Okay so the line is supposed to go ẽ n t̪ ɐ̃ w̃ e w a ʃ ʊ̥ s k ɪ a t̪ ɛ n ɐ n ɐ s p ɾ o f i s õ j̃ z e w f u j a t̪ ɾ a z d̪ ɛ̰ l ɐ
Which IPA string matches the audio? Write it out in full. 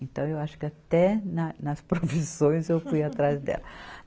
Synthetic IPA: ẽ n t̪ ɐ̃ w̃ e w a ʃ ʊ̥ k ɪ a t̪ ɛ n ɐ n ɐ s p ɾ o f i s õ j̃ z e w f u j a t̪ ɾ a z d̪ ɛ̰ l ɐ